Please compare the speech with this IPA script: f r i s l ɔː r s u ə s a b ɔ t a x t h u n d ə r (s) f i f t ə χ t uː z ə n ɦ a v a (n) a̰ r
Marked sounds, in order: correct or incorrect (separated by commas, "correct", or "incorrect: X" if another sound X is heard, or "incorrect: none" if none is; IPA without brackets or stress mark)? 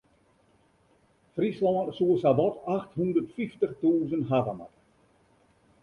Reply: incorrect: t, incorrect: m